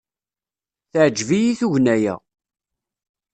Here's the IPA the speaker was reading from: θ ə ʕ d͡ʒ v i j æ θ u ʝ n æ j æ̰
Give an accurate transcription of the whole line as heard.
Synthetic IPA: θ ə ʕ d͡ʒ v i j i θ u ʝ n æ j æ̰